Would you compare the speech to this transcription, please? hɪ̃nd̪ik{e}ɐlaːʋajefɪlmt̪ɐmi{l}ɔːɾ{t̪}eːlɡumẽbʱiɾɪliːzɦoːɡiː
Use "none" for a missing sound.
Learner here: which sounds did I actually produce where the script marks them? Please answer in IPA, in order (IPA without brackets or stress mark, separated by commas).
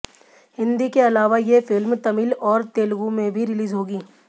e, l, t̪